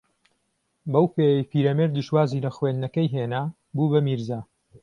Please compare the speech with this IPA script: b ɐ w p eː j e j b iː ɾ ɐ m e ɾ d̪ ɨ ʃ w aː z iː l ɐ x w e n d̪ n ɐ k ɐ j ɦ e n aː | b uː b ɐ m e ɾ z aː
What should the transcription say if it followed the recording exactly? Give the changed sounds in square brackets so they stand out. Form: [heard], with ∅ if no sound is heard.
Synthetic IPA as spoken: b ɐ w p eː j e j [p] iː ɾ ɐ m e ɾ d̪ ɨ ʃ w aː z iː l ɐ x w e n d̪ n ɐ k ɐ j ɦ e n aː | b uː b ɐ m [i] ɾ z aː